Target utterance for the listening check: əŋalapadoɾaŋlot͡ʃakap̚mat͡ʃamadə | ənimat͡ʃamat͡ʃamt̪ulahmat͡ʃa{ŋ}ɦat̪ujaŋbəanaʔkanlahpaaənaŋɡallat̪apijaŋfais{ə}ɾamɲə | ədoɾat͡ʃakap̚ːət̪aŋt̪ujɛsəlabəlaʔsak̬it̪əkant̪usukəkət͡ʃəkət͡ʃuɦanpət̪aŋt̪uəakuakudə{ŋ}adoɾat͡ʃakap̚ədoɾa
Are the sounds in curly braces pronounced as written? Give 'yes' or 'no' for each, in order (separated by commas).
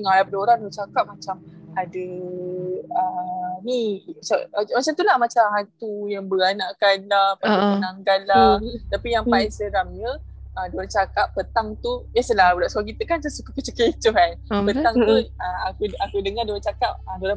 no, yes, yes